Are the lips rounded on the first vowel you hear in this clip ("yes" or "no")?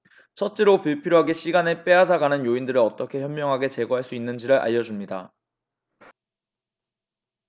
no